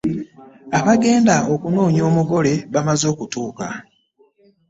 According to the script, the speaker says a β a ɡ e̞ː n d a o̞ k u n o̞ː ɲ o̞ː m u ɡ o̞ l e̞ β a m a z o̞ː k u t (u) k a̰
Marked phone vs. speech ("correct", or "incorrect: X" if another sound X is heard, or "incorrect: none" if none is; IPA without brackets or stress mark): incorrect: uː